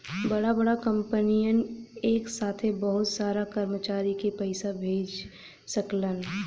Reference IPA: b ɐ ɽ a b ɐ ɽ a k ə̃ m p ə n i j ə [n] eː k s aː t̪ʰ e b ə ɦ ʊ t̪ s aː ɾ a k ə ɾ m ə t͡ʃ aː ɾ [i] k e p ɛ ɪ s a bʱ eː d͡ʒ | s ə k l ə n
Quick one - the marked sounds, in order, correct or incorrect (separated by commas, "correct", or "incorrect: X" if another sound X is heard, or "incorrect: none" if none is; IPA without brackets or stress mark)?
correct, correct